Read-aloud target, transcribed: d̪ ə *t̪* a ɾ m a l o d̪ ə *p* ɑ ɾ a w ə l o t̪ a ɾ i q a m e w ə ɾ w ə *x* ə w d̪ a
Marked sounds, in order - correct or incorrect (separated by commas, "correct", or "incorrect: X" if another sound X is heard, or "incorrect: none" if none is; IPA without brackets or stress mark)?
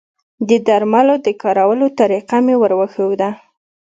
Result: incorrect: d̪, incorrect: k, correct